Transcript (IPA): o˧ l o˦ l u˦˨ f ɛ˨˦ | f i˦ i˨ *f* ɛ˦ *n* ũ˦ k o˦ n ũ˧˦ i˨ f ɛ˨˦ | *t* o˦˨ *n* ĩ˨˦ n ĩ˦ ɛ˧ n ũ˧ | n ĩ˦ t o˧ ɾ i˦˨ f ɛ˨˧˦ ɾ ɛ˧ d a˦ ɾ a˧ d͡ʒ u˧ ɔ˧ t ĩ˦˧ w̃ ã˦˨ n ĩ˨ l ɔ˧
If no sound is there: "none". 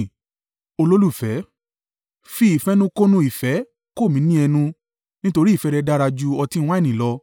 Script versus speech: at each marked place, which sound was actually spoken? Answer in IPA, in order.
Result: f, n, k, m

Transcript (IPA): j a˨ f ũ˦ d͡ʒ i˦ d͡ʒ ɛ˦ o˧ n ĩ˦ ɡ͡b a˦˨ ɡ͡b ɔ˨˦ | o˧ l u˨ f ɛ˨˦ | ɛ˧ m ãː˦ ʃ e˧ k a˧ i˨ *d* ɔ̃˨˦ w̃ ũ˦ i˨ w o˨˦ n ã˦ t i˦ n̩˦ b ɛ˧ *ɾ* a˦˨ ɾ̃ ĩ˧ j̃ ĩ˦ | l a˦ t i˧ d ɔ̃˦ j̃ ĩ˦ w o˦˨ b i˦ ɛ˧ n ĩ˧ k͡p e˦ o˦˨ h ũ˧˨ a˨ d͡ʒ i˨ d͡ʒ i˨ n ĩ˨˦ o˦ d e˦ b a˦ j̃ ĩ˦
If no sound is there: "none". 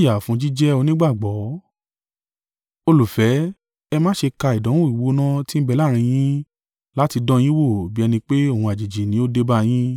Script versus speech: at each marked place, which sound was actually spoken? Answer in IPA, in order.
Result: d, l

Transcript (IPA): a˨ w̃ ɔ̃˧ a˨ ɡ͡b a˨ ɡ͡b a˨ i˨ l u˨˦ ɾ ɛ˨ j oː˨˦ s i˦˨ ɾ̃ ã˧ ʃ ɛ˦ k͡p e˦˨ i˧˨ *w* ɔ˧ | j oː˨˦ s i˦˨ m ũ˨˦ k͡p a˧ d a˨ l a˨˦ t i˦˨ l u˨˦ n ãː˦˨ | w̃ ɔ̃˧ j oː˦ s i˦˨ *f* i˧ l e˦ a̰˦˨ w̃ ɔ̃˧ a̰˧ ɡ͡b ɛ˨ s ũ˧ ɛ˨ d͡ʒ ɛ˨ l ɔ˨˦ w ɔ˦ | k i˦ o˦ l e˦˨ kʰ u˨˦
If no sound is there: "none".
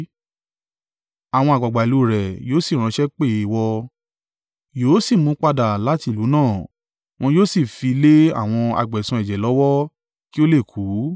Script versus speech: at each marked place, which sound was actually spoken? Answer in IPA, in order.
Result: w, f

